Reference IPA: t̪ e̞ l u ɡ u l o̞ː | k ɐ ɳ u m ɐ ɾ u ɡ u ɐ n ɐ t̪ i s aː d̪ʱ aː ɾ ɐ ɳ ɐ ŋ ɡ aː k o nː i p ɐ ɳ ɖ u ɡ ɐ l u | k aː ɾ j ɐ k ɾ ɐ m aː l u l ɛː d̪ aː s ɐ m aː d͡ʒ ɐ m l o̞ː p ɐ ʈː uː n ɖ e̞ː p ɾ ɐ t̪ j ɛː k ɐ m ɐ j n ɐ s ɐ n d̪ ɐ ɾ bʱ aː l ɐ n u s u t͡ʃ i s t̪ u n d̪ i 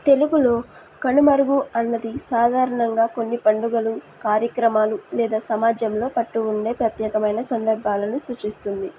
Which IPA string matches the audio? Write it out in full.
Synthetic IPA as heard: t̪ e̞ l u ɡ u l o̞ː | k ɐ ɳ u m ɐ ɾ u ɡ u ɐ nː ɐ d̪ i s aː d̪ʱ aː ɾ ɐ ɳ ɐ ŋ ɡ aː k o nː i p ɐ ɳ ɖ u ɡ ɐ l u | k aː ɾ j ɐ k ɾ ɐ m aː l u l ɛː d̪ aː s ɐ m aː d͡ʒ ɐ m l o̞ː p ɐ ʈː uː ɳ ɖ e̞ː p ɾ ɐ t̪ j ɛː k ɐ m ɐ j n ɐ s ɐ n d̪ ɐ ɾ bʱ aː l ɐ n u s u t͡ʃ i s t̪ u n d̪ i